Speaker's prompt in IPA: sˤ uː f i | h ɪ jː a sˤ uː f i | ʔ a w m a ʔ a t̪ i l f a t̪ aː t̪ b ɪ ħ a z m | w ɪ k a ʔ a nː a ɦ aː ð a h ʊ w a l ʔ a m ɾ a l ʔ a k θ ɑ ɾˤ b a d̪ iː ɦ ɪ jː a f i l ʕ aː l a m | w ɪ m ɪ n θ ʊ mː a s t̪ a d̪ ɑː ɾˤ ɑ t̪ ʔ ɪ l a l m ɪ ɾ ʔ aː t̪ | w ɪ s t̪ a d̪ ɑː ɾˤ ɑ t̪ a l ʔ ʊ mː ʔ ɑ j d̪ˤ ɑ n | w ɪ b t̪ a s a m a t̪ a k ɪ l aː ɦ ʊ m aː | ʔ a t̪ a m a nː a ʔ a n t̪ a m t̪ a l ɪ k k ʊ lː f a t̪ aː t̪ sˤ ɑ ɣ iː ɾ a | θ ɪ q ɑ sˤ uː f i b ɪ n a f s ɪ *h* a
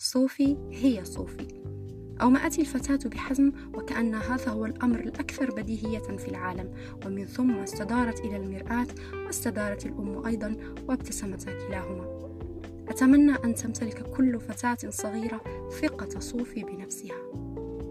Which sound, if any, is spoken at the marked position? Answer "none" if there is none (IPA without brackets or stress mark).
h